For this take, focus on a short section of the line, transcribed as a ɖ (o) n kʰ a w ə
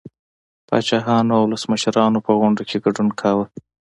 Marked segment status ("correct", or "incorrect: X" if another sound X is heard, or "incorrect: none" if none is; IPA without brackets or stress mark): incorrect: u